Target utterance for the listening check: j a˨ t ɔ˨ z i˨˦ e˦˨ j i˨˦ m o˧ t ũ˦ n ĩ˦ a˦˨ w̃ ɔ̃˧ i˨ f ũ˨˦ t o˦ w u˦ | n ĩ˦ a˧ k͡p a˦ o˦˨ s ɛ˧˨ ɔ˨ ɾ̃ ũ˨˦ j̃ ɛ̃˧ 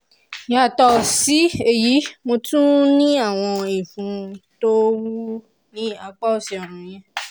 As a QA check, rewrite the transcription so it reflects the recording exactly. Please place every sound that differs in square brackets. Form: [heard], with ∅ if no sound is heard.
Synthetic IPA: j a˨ t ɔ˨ [s] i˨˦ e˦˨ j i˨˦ m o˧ t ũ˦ n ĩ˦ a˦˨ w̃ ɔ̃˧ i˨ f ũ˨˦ t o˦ w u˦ | n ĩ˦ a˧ k͡p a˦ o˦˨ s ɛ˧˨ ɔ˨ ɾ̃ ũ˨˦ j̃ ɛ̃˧